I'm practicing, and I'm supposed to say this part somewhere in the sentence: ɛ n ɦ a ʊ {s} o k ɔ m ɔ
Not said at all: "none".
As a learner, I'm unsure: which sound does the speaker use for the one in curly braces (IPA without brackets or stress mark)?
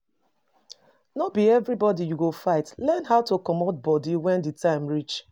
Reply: t